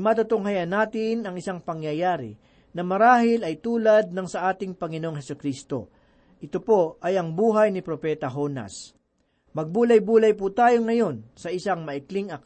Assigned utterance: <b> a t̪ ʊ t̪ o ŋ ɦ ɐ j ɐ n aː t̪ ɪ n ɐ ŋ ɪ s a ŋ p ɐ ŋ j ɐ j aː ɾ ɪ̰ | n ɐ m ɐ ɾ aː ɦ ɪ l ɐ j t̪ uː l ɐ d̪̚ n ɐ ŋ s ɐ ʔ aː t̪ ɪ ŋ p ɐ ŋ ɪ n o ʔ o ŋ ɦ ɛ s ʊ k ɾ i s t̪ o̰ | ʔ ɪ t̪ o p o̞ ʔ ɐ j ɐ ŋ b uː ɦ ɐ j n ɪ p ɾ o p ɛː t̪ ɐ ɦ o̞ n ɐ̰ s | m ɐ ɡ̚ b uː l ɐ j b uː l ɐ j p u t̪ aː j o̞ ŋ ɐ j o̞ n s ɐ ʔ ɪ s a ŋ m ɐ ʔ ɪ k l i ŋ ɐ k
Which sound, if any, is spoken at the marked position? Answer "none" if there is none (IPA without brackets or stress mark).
m